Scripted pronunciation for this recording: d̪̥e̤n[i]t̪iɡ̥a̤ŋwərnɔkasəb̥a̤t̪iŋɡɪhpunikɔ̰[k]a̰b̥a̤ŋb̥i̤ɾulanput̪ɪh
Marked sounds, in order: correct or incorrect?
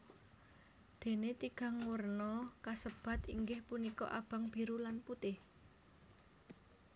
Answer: incorrect: e, incorrect: ʔ

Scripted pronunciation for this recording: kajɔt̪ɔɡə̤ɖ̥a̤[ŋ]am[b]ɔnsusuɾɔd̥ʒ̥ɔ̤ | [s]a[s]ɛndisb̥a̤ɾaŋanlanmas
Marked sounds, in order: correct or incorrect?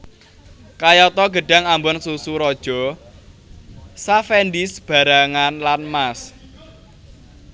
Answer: correct, correct, correct, incorrect: f

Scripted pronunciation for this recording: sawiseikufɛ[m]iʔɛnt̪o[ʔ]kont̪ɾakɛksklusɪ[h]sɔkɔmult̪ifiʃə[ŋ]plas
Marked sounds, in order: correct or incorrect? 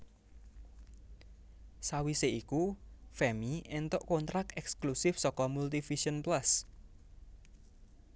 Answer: correct, correct, incorrect: f, incorrect: n

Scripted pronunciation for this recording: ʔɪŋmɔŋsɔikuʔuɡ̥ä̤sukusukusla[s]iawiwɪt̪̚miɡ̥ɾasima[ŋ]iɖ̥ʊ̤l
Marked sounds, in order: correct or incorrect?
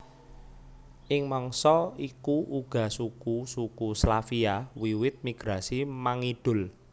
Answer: incorrect: f, correct

